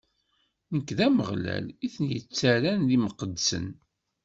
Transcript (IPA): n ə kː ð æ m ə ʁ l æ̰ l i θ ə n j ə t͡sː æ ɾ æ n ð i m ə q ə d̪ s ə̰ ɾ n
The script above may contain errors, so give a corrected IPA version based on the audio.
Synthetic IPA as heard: n ə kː ð æ m ə ʁ l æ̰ l i θ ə n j ə t͡sː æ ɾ æ n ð i m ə q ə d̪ s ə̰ n